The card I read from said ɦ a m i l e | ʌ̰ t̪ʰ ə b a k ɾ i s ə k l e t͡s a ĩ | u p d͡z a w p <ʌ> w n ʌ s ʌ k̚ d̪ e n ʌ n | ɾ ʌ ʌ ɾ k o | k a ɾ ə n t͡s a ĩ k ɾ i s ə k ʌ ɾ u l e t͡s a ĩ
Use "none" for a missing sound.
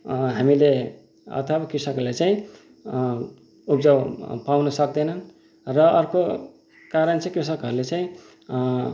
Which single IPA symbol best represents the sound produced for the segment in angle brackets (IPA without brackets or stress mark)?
a